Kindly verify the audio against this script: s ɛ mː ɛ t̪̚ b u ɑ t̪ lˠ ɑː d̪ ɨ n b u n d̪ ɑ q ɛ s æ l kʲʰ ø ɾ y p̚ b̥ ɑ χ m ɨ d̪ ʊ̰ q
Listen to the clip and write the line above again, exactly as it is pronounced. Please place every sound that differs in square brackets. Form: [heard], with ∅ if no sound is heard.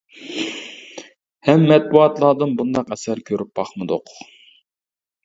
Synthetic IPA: [h] ɛ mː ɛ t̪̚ b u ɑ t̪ lˠ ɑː d̪ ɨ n b u n d̪ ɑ q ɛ s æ [ɾ] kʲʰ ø ɾ y p̚ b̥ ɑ χ m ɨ d̪ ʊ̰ q